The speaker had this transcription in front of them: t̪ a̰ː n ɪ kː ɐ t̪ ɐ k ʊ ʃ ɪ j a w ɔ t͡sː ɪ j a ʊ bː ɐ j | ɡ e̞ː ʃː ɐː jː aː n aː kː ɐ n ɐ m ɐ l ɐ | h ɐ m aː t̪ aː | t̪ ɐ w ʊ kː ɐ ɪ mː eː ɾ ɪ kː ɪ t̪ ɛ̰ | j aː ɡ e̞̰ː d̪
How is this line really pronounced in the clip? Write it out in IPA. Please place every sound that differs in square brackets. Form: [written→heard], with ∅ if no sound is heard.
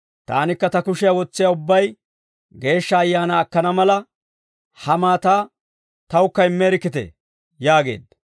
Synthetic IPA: t̪ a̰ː n ɪ kː ɐ t̪ ɐ k ʊ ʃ ɪ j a w ɔ t͡sː ɪ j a ʊ bː ɐ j | ɡ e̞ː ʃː ɐː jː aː n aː kː ɐ n ɐ m ɐ l ɐ | h ɐ m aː t̪ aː | t̪ ɐ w ʊ kː ɐ ɪ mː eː ɾ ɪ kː ɪ t̪ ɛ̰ | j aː ɡ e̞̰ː d̪